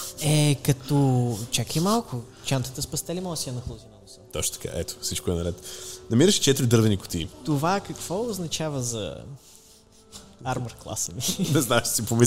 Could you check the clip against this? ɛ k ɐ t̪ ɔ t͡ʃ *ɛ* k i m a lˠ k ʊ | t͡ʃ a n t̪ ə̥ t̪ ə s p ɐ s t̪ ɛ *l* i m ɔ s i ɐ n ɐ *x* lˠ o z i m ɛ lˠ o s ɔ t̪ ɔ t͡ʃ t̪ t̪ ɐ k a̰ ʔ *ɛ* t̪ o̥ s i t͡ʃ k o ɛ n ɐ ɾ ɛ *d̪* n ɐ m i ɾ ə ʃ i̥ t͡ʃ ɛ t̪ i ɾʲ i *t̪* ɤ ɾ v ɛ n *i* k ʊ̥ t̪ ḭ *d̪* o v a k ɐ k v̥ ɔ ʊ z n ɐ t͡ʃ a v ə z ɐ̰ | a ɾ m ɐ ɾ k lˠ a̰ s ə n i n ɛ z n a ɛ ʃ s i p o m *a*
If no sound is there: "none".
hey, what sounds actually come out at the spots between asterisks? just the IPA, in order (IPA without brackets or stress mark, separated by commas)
a, l, x, ɛ, t̪, d̪, i, t̪, i